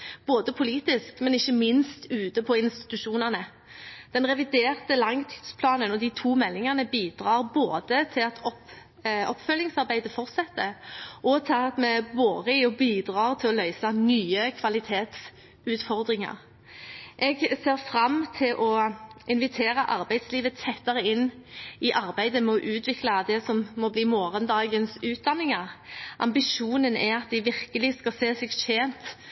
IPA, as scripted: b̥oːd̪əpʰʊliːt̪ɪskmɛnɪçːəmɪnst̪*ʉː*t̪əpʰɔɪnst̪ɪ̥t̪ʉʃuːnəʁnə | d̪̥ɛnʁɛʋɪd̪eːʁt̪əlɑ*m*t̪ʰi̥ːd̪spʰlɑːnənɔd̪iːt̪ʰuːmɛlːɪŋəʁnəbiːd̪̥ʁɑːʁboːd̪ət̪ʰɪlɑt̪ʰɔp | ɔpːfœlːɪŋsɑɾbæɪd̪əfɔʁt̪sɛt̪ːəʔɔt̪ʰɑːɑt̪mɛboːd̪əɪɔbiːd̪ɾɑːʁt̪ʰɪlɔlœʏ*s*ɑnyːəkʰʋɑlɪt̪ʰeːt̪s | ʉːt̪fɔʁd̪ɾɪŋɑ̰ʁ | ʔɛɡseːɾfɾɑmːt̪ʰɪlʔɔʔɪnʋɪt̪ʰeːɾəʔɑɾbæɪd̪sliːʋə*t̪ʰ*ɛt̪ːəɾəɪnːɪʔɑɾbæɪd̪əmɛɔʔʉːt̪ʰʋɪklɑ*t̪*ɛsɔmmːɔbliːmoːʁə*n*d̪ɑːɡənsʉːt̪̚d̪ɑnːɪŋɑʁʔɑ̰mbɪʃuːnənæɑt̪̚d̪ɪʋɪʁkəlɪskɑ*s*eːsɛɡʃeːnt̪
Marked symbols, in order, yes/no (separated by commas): yes, no, yes, yes, no, yes, yes